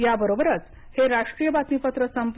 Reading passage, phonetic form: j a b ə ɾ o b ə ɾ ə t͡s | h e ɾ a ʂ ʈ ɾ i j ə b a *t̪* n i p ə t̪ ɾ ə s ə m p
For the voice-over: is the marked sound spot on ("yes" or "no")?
yes